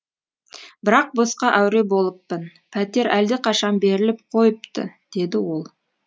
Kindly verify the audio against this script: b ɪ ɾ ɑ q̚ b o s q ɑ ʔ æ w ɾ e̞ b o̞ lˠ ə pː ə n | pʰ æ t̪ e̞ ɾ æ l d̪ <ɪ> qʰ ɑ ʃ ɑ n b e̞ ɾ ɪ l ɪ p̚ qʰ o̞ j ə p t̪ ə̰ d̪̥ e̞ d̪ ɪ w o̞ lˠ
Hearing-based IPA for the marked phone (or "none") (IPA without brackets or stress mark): ɪ